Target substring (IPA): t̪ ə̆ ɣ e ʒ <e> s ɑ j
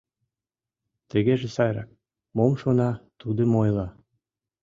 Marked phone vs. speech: correct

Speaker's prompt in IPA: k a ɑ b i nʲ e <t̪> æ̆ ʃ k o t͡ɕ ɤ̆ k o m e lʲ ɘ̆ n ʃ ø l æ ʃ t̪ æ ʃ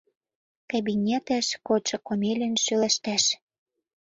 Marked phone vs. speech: correct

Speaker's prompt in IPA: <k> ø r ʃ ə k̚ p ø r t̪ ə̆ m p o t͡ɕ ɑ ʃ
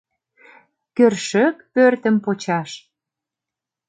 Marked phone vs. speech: correct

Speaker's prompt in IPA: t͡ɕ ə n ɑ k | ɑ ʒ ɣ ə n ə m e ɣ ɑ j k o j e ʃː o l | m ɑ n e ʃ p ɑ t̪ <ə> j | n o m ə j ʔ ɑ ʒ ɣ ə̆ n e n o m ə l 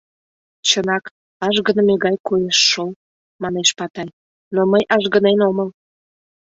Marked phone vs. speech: incorrect: ɑ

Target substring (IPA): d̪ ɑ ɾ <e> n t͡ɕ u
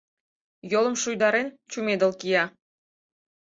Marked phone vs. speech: correct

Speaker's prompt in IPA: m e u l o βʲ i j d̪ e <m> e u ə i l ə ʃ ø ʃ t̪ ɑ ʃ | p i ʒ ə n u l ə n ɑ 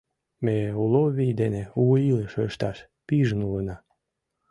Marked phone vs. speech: incorrect: n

